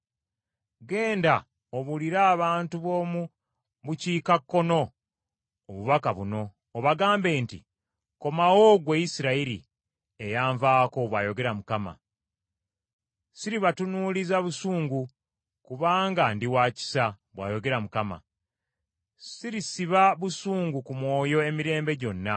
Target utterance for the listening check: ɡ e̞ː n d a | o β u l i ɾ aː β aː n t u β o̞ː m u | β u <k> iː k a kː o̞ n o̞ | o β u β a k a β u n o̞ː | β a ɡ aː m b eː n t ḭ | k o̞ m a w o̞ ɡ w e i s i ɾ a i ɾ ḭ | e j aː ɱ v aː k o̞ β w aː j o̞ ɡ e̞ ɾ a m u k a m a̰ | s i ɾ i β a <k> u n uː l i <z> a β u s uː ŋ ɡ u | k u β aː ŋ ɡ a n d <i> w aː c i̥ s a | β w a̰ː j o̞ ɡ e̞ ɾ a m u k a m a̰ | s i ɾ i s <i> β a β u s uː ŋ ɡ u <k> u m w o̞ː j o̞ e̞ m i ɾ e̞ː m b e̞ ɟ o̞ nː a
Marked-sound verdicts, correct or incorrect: incorrect: c, incorrect: t, correct, correct, correct, correct

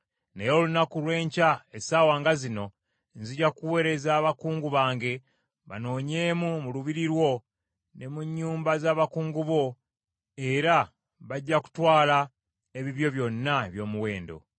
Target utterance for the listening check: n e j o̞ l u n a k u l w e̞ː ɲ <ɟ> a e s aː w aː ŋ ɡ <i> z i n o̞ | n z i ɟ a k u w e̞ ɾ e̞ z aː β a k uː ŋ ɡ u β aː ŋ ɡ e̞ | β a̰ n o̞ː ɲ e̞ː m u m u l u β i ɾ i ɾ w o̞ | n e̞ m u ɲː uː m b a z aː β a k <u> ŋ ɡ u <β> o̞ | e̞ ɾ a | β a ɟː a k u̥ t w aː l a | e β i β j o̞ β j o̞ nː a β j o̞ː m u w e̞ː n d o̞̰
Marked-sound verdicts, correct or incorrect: incorrect: c, incorrect: a, incorrect: uː, correct

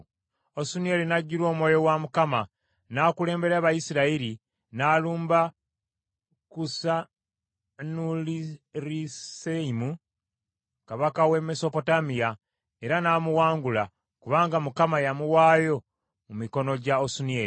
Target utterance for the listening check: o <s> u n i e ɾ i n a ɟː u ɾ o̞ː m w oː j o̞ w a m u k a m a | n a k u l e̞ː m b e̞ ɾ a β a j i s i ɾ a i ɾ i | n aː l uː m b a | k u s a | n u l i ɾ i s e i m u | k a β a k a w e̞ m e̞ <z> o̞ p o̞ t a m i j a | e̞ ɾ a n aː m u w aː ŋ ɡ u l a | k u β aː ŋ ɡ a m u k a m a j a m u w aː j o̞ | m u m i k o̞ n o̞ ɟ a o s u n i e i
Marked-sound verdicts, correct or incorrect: correct, incorrect: s

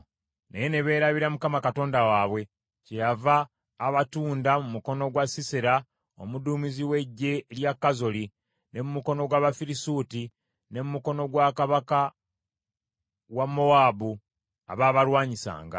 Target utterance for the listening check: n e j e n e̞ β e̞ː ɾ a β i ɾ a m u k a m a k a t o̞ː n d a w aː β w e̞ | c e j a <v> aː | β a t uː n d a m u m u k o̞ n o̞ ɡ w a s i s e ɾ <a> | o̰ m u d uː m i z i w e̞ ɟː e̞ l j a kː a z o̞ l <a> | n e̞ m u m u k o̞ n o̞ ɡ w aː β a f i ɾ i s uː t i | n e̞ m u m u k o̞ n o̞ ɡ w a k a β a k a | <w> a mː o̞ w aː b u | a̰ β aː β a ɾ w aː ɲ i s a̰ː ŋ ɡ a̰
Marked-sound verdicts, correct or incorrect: correct, correct, incorrect: i, correct

